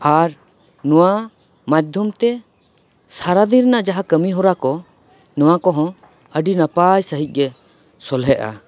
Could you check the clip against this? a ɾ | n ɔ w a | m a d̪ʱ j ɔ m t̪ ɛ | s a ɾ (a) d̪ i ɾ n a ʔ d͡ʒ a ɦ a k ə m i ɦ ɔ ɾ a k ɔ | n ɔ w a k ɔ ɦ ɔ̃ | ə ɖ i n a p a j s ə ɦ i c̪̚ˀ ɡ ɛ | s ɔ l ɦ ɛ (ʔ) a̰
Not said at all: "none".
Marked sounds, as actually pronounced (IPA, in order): a, ʔ

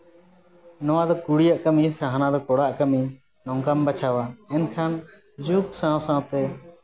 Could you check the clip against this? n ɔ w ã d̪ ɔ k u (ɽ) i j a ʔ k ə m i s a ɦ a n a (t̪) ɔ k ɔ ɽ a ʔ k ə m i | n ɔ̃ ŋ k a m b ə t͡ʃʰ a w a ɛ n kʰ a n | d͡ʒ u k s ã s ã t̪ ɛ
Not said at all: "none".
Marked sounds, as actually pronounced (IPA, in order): ɽ, d̪

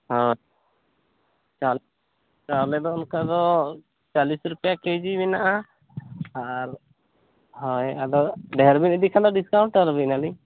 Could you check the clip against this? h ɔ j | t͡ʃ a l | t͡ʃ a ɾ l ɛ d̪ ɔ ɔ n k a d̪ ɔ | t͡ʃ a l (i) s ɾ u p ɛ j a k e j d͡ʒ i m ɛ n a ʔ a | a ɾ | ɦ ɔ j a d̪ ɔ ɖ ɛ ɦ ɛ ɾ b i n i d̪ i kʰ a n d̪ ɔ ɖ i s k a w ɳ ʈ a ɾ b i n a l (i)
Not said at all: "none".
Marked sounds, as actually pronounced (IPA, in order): i, i

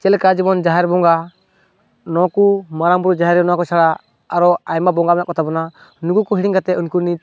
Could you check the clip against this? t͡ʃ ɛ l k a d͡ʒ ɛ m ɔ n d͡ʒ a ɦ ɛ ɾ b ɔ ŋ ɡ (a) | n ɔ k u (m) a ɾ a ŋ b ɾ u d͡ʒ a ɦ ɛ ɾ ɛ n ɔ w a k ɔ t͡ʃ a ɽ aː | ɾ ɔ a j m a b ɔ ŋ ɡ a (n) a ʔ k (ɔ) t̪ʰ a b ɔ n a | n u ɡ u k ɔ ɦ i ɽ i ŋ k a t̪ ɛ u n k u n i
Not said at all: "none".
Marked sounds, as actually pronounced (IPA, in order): a, m, m, ɔ

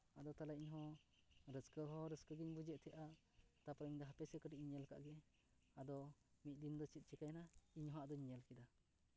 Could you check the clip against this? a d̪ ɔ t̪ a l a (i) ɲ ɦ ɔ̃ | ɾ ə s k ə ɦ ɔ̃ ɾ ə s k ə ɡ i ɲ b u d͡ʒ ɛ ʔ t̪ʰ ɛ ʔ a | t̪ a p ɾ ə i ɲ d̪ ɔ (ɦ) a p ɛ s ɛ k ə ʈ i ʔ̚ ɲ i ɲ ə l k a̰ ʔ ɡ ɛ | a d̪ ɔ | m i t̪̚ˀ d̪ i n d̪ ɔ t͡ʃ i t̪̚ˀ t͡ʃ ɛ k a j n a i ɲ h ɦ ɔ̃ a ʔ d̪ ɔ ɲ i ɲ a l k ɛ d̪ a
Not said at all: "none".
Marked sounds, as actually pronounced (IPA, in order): i, ɦ

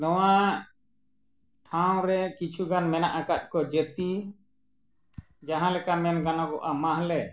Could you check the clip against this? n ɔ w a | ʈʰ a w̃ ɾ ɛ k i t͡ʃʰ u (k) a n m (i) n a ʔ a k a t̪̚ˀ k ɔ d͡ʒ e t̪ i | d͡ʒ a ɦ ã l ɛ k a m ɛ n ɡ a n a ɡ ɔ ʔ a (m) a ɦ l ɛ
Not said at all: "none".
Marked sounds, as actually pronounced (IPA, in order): ɡ, ɛ, m

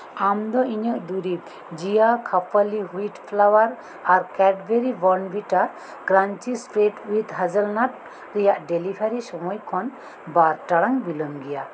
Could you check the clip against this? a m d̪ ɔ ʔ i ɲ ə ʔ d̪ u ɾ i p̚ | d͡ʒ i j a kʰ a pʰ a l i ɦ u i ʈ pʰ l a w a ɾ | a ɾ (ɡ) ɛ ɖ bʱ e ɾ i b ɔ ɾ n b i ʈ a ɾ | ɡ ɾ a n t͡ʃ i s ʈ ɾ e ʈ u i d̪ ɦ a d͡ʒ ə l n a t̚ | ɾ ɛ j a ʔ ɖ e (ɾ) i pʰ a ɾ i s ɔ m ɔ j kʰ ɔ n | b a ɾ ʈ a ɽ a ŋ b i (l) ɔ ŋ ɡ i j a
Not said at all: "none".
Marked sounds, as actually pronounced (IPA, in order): k, l, l

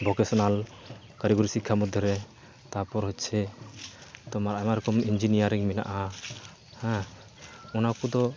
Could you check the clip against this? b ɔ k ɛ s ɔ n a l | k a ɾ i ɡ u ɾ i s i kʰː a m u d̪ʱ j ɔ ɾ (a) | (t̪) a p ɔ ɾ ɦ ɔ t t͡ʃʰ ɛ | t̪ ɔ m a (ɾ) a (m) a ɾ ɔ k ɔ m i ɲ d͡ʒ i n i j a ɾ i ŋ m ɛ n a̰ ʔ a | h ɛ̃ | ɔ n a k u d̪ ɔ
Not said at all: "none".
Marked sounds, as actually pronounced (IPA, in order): ɛ, t̪, ɾ, m

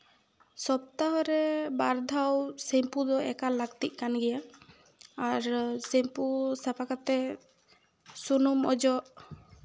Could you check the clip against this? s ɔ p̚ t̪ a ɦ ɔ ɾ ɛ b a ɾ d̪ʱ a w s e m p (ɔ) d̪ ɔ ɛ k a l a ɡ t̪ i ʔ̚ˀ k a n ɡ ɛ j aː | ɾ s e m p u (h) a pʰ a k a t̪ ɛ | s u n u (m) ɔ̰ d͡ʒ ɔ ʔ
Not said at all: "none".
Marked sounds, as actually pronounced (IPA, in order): u, s, m

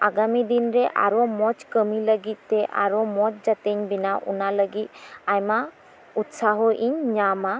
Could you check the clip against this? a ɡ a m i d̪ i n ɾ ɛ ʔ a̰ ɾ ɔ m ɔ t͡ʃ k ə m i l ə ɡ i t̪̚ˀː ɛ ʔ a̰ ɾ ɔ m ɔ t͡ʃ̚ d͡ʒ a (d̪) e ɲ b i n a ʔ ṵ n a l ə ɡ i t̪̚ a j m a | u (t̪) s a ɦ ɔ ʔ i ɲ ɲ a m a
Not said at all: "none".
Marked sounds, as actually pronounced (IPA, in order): t̪, t̪

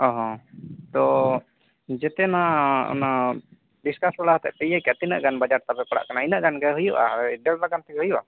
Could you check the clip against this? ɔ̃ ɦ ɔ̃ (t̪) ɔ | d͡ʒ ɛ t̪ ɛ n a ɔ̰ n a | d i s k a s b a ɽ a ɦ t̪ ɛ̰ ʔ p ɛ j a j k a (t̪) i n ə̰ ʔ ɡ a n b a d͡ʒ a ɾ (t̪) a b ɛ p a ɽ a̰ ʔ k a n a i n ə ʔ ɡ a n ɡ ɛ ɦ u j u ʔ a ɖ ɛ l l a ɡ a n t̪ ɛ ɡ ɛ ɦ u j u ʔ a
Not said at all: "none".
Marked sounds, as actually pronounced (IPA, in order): t̪, t̪, t̪

